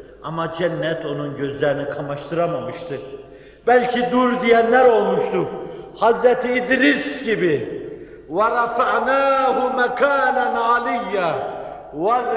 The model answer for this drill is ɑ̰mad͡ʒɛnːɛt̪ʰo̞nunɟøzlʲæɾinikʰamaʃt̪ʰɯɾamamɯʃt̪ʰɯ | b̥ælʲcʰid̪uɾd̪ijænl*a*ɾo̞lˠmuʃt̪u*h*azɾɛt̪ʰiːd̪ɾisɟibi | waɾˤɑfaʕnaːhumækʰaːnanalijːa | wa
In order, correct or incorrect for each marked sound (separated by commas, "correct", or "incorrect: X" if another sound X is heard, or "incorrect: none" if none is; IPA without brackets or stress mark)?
incorrect: æ, correct